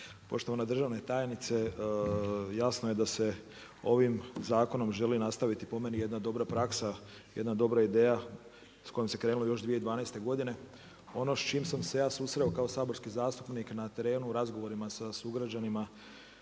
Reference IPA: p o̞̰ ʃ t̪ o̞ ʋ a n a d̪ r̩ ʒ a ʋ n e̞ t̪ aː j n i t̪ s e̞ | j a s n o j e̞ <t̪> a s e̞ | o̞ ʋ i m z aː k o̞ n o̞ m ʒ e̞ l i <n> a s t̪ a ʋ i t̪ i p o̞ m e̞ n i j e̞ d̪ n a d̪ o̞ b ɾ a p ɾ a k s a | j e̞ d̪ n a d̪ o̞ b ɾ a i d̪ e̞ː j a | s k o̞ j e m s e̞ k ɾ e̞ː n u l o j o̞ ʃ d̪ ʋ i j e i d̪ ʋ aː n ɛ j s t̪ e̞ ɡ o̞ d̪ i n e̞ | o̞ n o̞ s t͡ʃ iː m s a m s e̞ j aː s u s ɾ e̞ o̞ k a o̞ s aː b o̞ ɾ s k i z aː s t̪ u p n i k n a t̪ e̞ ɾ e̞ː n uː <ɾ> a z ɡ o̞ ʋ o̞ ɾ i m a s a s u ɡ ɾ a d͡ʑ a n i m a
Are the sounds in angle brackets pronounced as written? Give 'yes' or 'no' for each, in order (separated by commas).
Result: no, yes, yes